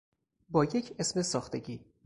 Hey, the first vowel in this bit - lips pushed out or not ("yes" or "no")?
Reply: yes